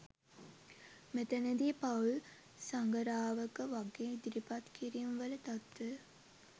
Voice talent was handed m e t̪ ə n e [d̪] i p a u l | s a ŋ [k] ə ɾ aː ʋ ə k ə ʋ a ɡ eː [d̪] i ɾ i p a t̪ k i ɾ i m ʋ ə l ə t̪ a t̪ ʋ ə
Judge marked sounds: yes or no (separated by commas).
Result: yes, no, yes